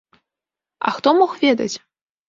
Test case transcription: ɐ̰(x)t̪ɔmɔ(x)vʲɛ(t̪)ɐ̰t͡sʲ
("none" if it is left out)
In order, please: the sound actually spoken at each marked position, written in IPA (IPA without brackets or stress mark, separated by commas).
x, x, d̪